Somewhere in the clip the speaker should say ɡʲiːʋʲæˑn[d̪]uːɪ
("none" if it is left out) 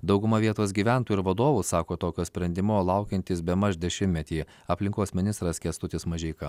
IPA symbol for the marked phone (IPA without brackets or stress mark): t̪